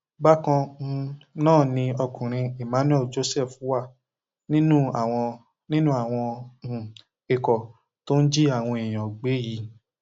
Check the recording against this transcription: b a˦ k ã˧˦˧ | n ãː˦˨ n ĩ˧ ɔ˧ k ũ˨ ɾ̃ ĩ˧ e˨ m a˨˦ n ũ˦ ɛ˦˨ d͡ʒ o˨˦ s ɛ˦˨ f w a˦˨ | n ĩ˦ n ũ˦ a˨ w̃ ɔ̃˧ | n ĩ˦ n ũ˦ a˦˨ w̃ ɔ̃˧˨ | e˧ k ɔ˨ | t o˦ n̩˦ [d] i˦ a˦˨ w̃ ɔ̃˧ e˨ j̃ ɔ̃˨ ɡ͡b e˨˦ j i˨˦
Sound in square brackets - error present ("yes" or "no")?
yes